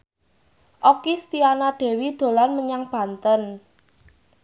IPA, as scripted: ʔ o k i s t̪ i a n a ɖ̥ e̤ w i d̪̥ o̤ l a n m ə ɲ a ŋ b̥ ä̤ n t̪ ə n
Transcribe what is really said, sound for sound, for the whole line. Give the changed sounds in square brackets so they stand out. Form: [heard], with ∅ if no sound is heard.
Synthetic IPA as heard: ʔ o k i s t̪ i a n a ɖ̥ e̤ w i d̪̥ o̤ l a n m ə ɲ a ŋ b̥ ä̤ n t̪ ə n